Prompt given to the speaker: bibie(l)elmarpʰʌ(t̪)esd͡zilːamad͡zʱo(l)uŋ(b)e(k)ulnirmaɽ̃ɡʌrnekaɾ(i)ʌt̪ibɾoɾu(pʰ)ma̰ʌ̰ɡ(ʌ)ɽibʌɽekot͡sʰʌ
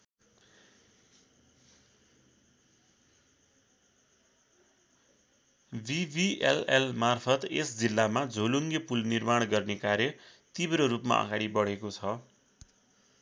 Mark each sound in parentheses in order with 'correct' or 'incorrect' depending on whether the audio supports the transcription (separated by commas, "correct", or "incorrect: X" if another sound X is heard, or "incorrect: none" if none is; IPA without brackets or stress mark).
correct, correct, correct, incorrect: ɡ, incorrect: p, incorrect: j, incorrect: p, incorrect: a